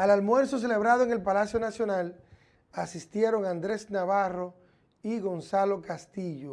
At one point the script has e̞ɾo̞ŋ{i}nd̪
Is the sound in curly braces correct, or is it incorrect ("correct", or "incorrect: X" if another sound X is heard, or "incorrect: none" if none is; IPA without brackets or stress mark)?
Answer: incorrect: a